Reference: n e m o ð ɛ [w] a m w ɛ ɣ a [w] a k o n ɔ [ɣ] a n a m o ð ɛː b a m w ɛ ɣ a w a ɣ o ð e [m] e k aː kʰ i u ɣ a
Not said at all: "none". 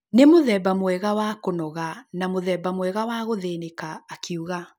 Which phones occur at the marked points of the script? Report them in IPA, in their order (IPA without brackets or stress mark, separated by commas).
b, w, ɣ, n